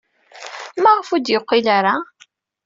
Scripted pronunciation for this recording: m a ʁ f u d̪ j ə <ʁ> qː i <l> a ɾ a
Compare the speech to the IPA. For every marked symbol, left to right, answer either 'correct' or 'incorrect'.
incorrect: none, correct

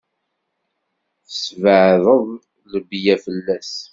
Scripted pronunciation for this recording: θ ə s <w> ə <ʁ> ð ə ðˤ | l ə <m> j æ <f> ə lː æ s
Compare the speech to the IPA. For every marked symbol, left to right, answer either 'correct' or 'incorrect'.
incorrect: v, incorrect: ʕ, incorrect: b, correct

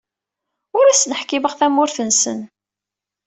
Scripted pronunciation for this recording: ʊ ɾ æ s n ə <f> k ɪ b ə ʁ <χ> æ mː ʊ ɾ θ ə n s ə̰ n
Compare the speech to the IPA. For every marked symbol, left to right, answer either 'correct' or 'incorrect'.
incorrect: ħ, incorrect: θ

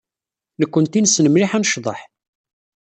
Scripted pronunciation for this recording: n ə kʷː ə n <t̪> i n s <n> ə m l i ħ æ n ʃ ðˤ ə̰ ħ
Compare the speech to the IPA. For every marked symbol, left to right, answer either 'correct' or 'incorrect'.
correct, correct

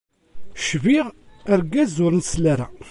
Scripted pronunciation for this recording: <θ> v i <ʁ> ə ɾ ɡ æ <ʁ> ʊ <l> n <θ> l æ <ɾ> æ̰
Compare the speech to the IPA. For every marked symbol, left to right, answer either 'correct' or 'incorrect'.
incorrect: ʃ, correct, incorrect: z, incorrect: ɾ, incorrect: s, correct

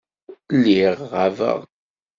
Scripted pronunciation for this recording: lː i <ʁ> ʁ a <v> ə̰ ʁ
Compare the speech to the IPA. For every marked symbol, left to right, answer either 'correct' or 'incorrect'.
correct, correct

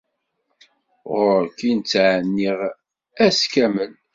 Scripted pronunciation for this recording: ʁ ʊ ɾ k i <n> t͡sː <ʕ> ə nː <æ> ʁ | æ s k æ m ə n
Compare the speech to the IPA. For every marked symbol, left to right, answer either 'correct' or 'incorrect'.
correct, correct, incorrect: i

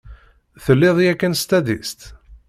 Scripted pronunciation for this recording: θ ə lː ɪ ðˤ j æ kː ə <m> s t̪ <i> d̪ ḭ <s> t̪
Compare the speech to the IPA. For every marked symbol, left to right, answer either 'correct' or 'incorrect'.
incorrect: n, incorrect: æ, correct

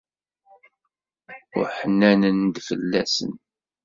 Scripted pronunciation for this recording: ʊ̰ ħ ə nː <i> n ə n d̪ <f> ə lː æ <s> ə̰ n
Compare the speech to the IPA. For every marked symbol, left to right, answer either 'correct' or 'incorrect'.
incorrect: æ, correct, correct

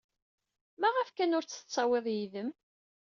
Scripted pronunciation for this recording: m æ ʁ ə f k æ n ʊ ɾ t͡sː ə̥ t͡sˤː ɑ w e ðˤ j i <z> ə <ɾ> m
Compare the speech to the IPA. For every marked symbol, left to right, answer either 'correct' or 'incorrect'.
incorrect: ð, incorrect: none

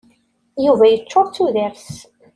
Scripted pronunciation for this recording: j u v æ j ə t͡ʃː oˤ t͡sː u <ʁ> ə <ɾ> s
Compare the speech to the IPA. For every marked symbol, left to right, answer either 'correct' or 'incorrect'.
incorrect: ð, correct

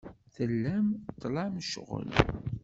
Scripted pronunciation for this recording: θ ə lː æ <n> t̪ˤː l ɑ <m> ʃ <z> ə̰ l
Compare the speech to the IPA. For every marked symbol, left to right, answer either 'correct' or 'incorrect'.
incorrect: m, correct, incorrect: ʁ

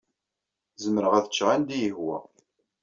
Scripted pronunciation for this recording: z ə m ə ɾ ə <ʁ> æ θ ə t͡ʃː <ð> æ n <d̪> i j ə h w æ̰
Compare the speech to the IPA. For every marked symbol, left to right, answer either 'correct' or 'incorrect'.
correct, incorrect: ʁ, correct

